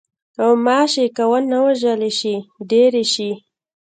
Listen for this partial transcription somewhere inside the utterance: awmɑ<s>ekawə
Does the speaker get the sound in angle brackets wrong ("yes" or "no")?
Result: yes